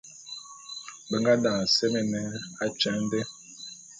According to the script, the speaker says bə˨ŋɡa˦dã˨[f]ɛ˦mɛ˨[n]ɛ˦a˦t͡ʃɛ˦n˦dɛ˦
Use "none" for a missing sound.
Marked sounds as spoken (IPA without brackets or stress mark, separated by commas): s, n